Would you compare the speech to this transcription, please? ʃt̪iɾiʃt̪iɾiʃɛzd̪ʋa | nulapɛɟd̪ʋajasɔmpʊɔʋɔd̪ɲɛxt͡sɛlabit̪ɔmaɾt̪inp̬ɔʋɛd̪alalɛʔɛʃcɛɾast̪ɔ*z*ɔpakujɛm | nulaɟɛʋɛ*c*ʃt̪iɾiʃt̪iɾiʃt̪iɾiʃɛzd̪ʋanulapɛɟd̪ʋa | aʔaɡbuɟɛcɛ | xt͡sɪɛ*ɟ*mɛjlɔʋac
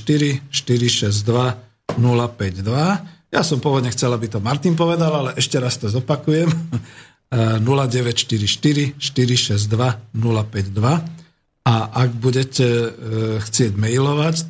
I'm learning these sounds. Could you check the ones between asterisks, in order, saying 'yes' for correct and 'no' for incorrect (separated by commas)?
yes, yes, yes